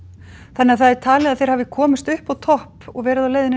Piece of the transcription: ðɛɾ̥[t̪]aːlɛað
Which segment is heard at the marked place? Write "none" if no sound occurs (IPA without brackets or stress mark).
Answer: t̪ʰ